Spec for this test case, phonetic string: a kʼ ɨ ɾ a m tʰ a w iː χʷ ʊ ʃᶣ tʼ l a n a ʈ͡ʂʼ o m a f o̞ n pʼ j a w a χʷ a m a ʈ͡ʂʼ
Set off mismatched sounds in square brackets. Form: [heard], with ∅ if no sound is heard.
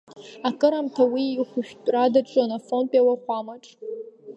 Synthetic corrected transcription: a kʼ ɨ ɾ a m tʰ a w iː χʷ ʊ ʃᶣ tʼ [r] a [d] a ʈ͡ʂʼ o [n] a f o̞ n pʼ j a w a χʷ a m a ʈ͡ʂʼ